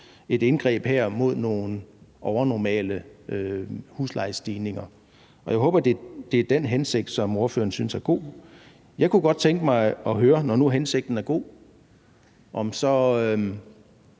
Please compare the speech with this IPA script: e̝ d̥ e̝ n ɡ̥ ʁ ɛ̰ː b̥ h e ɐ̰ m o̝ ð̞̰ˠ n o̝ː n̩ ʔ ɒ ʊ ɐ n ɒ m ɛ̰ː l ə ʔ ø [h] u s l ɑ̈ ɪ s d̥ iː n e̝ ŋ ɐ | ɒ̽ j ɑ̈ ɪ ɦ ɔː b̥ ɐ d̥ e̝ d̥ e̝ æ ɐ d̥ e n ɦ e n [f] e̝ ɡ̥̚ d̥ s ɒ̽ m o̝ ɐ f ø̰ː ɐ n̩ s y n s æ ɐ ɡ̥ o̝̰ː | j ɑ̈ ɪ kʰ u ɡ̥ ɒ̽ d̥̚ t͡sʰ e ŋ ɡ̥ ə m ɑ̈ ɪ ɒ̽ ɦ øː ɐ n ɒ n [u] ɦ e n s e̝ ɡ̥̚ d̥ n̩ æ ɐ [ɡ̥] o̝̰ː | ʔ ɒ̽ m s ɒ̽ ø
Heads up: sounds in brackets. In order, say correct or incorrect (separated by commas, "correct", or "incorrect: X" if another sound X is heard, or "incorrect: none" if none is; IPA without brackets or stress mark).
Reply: correct, incorrect: s, correct, correct